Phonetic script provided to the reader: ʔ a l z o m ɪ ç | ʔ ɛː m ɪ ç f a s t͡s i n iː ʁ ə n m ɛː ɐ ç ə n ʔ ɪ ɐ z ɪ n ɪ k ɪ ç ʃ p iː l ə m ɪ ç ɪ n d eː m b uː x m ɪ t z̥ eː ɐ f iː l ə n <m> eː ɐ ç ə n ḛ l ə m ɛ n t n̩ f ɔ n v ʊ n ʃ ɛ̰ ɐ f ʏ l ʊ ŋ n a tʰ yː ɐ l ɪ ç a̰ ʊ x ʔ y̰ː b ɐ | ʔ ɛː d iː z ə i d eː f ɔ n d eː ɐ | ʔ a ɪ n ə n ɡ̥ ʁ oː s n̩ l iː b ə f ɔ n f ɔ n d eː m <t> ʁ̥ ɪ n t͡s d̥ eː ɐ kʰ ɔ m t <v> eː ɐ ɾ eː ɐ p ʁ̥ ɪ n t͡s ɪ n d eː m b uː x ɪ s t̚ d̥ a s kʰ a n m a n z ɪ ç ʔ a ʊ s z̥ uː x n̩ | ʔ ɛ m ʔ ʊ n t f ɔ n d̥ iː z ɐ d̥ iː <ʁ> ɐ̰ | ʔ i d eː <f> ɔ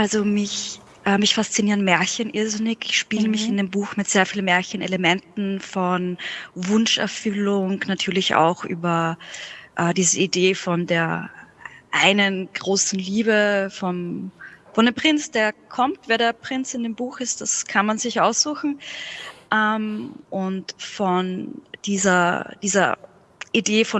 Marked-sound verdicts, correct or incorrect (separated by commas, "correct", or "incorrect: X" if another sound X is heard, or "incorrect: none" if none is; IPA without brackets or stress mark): correct, incorrect: p, correct, incorrect: z, correct